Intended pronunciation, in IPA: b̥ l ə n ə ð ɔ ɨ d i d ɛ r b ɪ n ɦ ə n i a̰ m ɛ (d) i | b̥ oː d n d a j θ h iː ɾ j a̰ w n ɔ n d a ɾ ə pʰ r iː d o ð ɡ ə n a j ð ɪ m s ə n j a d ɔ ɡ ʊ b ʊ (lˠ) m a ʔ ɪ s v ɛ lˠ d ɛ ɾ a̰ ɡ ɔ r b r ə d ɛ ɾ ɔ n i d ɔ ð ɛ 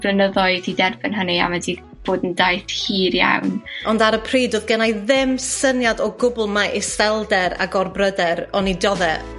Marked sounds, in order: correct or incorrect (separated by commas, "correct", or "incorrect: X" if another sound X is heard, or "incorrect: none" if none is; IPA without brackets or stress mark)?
correct, correct